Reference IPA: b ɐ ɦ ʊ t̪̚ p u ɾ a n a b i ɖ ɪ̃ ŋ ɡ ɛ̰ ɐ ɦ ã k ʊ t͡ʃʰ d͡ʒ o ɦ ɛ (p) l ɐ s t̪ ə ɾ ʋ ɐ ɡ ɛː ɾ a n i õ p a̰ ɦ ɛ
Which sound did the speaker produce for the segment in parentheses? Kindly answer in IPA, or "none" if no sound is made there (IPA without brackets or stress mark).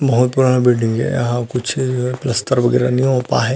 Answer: p